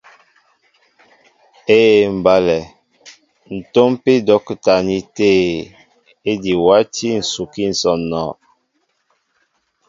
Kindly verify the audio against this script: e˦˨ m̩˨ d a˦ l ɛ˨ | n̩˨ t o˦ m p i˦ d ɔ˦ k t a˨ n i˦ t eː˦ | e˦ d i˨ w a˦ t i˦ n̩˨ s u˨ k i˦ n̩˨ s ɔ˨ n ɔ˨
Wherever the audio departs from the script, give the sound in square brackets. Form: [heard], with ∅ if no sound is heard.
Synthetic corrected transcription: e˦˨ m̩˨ [b] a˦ l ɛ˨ | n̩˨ t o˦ m p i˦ d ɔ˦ k t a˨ n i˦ t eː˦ | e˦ d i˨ w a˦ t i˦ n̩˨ s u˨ k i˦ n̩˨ s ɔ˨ n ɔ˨